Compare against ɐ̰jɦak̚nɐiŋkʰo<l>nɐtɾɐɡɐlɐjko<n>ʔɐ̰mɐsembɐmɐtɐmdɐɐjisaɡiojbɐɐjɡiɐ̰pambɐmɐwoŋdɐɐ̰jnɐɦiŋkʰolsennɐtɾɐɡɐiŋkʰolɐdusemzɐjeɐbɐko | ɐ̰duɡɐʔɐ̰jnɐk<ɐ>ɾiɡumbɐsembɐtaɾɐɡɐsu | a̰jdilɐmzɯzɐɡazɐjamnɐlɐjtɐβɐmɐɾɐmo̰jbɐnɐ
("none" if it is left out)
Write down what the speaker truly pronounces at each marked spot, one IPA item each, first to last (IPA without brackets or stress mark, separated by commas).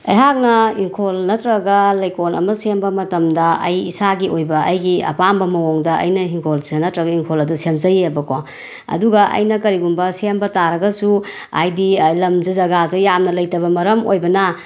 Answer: l, n, ɐ